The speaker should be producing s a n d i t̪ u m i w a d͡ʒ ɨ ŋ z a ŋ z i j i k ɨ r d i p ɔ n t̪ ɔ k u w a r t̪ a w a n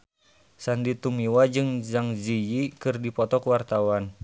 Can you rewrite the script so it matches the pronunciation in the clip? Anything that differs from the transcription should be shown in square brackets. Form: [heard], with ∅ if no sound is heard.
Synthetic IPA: s a n d i t̪ u m i w a d͡ʒ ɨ ŋ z a ŋ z i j i k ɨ r d i p ɔ [∅] t̪ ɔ k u w a r t̪ a w a n